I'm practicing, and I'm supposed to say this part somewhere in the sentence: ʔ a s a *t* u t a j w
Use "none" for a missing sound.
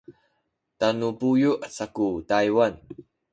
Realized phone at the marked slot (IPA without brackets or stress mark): k